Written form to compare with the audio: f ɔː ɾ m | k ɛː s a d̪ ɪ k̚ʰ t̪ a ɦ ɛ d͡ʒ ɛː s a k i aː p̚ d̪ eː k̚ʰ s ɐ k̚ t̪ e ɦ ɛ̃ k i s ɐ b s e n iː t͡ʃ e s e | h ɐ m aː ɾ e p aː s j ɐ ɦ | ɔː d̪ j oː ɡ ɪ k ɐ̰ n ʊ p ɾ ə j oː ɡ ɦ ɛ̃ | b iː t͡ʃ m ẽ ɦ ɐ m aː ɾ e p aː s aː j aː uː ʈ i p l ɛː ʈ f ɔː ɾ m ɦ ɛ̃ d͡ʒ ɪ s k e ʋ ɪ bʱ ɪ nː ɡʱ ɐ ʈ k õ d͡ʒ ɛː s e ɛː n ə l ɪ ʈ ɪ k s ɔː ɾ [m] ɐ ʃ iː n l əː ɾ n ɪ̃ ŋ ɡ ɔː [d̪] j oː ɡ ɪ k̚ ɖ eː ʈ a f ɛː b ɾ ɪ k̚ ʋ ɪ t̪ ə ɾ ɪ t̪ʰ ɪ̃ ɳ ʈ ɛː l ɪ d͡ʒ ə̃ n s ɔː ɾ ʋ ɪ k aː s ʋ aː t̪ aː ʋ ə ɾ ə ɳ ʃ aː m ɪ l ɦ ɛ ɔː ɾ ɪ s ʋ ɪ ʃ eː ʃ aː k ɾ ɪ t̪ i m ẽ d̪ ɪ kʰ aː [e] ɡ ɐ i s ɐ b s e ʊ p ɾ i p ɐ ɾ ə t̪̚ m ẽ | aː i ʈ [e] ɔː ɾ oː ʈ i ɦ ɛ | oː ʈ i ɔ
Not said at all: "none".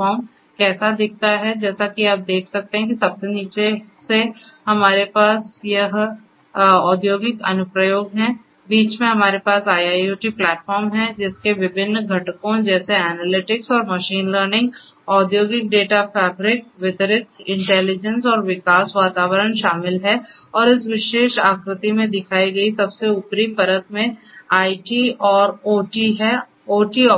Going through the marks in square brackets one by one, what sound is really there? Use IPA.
m, d̪, i, i

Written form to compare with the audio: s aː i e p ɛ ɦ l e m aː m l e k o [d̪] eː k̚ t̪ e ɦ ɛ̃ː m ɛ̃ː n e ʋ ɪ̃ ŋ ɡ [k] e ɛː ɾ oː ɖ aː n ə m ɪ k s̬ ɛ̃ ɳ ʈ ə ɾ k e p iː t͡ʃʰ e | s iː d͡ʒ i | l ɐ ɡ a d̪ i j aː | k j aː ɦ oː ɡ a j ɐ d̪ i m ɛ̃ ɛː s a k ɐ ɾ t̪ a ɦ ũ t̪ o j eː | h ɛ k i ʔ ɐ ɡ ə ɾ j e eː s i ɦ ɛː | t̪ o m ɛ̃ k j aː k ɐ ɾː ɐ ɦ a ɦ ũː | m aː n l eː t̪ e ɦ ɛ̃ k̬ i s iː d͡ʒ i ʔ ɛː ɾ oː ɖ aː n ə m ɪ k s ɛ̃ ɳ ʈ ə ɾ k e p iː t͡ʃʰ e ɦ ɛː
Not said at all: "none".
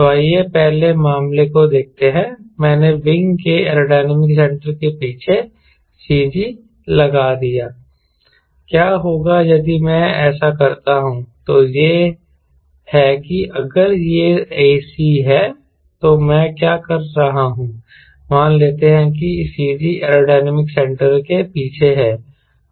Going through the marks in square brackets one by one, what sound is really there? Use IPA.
d̪, k

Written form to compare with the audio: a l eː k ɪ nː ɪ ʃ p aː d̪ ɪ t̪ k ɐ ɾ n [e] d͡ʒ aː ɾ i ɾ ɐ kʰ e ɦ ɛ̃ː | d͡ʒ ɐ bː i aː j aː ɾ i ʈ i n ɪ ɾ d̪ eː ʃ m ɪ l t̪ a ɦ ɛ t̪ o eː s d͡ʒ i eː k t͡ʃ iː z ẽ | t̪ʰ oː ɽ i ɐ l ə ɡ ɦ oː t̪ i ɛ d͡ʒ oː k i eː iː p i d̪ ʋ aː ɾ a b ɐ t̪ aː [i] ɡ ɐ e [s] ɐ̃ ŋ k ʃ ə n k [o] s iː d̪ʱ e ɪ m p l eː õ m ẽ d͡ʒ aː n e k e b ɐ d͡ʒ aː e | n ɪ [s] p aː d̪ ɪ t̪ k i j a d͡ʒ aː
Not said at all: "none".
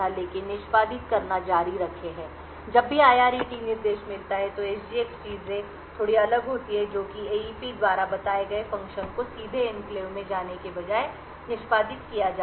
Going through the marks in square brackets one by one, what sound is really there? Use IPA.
a, e, f, o, ʃ

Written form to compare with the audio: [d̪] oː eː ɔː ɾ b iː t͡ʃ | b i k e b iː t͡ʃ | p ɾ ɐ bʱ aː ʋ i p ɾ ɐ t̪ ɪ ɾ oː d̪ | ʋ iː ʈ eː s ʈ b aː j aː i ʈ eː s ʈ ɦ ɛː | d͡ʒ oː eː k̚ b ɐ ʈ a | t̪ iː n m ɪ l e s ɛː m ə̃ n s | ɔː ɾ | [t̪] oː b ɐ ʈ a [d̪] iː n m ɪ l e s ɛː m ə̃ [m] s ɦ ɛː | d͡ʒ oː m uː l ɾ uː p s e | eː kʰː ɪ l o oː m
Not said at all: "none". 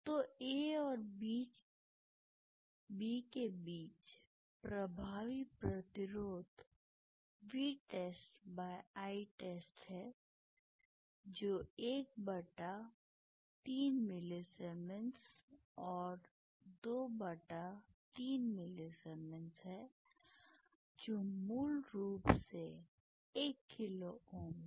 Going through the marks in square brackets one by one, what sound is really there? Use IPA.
t̪, d̪, t̪, n

